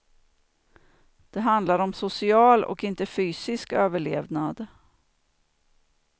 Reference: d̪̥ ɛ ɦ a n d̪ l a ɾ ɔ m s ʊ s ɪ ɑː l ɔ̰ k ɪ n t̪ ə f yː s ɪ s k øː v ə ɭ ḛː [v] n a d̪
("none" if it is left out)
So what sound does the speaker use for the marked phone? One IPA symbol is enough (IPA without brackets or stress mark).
v